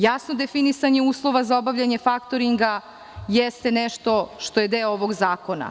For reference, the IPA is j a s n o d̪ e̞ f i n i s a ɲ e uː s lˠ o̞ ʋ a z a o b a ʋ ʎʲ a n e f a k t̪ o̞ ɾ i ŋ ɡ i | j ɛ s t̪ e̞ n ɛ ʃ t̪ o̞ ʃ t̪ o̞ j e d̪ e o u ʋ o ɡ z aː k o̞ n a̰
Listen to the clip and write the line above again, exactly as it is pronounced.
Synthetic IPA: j a s n o d̪ e̞ f i n i s a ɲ e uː s lˠ o̞ ʋ a z a o b a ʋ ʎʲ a ɲ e f a k t̪ o̞ ɾ i ŋ ɡ a | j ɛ s t̪ e̞ n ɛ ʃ t̪ o̞ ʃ t̪ o̞ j e d̪ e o o ʋ o ɡ z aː k o̞ n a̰